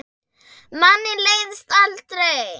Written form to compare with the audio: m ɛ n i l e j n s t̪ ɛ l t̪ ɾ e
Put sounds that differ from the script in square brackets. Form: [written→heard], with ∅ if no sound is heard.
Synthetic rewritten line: m [ɛ→a] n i l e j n s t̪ [ɛ→a] l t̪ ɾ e